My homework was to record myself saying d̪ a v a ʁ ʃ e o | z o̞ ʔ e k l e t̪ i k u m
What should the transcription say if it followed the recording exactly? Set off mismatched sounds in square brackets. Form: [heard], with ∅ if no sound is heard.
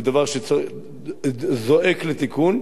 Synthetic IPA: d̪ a v a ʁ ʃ e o | z o̞ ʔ e k l e t̪ i k u [n]

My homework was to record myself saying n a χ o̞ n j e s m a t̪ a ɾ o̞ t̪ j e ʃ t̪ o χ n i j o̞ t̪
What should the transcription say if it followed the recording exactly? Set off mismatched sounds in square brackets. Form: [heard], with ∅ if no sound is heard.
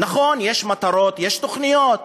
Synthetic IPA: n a χ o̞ n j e [ʃ] m a t̪ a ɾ o̞ t̪ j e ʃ t̪ o χ n i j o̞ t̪

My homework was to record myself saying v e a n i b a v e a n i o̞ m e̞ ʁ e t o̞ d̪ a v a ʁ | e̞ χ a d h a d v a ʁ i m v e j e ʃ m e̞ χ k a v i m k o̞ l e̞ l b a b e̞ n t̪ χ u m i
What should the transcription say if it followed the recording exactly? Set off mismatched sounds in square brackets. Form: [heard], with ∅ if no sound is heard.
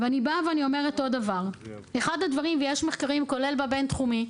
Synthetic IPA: v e a n i b a v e a n i o̞ m e̞ ʁ e t o̞ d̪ a v a ʁ | e̞ χ a d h a d v a ʁ i m v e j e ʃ m e̞ χ k a [ʁ] i m k o̞ l e̞ l b a b e̞ n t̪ χ u m i

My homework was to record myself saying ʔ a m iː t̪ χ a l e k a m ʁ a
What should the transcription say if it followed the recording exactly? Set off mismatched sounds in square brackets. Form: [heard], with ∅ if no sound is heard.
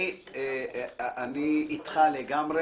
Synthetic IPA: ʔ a [n] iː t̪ χ a l e [ɡ] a m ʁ [e]

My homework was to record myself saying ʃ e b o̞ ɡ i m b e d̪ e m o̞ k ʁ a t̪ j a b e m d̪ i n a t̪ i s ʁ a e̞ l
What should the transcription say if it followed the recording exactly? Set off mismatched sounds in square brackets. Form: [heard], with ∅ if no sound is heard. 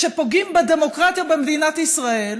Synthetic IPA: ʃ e [p] o̞ ɡ i m b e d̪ e m o̞ k ʁ a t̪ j a b e m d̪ i n a t̪ i s ʁ a e̞ l

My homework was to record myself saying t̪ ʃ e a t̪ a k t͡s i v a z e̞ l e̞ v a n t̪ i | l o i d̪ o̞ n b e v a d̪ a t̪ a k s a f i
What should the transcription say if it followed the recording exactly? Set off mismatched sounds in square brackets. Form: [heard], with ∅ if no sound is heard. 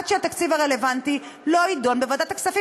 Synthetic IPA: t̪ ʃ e a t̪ a k t͡s i v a [ʁ] e̞ l e̞ v a n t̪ i | l o i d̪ o̞ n b e v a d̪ a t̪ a k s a f i

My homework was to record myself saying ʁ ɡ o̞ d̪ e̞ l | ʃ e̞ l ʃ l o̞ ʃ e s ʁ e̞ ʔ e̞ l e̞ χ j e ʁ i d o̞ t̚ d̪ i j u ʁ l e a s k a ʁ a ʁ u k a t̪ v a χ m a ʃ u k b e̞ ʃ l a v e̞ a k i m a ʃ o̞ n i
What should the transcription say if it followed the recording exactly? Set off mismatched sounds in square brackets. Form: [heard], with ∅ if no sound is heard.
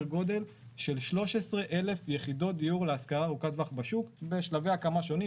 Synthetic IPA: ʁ ɡ o̞ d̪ e̞ l | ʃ e̞ l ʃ l o̞ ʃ e s ʁ e̞ ʔ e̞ l e̞ [f] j e [χ] i d o̞ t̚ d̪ i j u ʁ l e a s k a ʁ a ʁ u k a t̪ v a χ [b] a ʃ u k b e̞ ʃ l a v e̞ a k [a] m a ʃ o̞ n i

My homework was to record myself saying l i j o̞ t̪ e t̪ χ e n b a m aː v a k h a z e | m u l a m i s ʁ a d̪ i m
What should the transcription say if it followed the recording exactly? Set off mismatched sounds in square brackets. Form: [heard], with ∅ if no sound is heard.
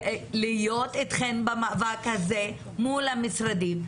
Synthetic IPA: l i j o̞ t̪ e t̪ χ e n b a m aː v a k h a z e | m u l a m i s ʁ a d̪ i m

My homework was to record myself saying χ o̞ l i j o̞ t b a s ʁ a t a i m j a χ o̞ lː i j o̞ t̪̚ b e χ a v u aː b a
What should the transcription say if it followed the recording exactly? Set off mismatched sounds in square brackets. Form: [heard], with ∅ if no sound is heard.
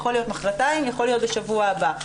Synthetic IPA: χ o̞ l i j o̞ t [m] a [χ] ʁ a t a i m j a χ o̞ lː i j o̞ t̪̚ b e [ʃ] a v u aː b a

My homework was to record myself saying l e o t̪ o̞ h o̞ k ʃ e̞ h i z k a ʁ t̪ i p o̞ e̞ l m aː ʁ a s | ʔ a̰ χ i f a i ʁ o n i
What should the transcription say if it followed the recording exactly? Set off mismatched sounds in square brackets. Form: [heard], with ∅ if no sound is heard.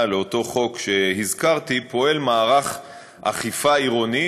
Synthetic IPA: l e o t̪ o̞ [χ] o̞ k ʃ e̞ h i z k a ʁ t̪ i p o̞ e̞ l m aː ʁ a [χ] | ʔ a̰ χ i f a i ʁ o n i

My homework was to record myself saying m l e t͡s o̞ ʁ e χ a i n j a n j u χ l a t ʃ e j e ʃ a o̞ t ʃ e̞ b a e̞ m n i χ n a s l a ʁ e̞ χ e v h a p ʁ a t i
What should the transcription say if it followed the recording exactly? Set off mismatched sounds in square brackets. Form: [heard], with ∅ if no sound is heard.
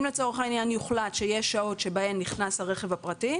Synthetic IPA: m l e t͡s o̞ ʁ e χ a i n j a n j u χ l a t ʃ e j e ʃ a o̞ t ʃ e̞ b a e̞ m n i χ n a s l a ʁ e̞ χ e v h a p ʁ a t i

